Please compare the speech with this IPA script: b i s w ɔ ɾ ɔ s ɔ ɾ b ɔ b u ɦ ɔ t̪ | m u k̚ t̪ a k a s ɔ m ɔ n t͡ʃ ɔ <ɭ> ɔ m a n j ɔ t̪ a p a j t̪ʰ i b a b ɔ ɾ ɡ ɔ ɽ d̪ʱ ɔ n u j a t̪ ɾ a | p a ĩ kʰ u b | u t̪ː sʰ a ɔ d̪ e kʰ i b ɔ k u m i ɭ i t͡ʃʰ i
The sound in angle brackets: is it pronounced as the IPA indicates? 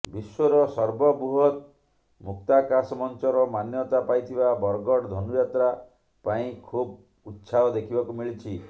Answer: no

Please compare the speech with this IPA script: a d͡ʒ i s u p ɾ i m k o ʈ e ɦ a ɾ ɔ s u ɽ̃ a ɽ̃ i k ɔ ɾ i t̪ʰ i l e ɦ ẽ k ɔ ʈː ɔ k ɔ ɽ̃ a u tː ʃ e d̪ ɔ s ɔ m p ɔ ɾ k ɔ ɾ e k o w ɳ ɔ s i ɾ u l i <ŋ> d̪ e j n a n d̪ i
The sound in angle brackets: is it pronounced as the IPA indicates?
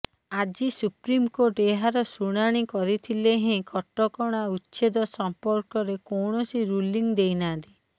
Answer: yes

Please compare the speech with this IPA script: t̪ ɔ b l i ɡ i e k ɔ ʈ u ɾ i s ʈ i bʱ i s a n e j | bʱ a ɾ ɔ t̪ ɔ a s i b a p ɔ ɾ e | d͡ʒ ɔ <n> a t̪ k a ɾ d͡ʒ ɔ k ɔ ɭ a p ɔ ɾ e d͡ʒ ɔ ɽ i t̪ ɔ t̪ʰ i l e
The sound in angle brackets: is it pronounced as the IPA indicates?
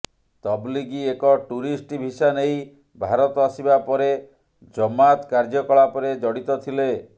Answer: no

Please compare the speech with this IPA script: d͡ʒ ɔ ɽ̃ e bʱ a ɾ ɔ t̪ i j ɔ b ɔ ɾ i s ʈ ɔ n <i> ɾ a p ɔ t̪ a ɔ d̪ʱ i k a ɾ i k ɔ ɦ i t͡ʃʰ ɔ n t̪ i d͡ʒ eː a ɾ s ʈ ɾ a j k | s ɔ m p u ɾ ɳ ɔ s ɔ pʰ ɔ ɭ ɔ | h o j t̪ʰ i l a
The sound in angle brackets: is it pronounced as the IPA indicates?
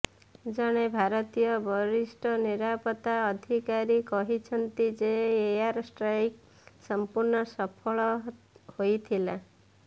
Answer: yes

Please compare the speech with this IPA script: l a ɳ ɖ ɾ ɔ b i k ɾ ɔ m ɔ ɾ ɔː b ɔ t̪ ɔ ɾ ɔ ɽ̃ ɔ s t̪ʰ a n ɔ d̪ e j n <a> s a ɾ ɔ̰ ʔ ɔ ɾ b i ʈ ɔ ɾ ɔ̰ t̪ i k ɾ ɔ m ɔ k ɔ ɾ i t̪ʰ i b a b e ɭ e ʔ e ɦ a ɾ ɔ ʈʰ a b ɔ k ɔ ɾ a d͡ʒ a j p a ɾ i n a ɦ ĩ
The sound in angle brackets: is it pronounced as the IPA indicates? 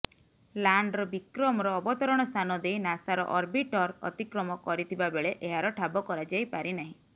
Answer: yes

